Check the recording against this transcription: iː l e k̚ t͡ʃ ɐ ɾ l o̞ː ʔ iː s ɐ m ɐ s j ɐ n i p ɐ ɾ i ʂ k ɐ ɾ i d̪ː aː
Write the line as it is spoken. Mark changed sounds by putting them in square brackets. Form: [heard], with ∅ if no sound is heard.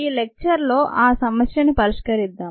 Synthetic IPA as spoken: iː l e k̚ t͡ʃ ɐ ɾ l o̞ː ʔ [aː] s ɐ m ɐ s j ɐ n i p ɐ ɾ i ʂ k ɐ ɾ i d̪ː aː